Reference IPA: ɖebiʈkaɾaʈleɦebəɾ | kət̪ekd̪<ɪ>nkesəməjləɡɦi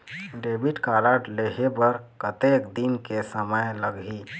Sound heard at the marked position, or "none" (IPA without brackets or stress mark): i